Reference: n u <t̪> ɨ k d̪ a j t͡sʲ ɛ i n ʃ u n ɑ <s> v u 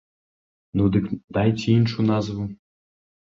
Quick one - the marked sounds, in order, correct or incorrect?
incorrect: d̪, incorrect: z

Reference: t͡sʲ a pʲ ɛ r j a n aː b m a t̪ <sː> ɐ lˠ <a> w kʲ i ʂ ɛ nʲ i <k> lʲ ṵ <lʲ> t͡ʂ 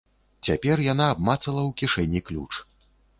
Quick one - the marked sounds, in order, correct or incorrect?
incorrect: s, incorrect: ɐ, correct, incorrect: none

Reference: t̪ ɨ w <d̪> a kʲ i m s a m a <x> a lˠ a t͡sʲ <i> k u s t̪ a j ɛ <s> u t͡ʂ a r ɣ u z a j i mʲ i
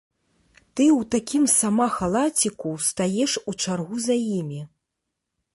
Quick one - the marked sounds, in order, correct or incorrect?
incorrect: t̪, correct, correct, incorrect: ʂ

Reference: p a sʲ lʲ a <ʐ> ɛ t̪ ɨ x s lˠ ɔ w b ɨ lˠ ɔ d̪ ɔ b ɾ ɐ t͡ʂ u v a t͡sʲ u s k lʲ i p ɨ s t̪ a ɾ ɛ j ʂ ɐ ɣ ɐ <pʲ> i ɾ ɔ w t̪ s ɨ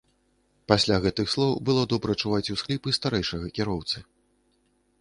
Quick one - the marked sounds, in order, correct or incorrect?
incorrect: ɣ, incorrect: kʲ

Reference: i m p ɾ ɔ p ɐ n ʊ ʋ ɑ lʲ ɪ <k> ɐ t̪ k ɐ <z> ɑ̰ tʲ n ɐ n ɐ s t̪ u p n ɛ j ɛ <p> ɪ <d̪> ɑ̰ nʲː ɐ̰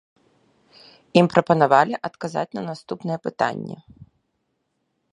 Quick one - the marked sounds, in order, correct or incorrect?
incorrect: ʔ, correct, correct, incorrect: t̪

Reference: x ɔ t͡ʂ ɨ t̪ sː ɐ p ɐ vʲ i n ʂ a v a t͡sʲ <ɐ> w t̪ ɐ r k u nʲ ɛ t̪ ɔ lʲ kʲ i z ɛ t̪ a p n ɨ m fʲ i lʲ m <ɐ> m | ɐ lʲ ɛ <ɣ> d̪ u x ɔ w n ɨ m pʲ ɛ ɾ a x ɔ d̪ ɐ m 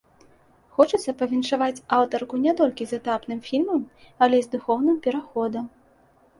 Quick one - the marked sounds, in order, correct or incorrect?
incorrect: a, correct, incorrect: z

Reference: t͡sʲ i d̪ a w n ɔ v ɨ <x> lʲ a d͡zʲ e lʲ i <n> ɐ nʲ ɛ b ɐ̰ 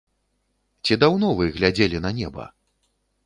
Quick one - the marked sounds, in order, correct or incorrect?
incorrect: ɣ, correct

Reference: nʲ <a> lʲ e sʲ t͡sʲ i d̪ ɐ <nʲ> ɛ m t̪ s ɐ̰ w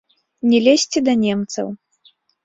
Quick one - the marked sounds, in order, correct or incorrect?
incorrect: ɛ, correct

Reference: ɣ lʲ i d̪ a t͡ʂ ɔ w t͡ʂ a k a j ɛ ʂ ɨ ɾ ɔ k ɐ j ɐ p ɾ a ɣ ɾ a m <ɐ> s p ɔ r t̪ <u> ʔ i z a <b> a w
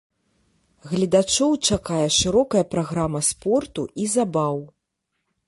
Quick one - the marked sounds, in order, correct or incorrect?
correct, correct, correct

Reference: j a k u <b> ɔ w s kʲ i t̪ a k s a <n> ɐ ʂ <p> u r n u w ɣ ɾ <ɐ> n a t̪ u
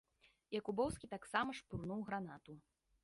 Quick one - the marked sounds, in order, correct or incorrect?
correct, incorrect: m, correct, incorrect: a

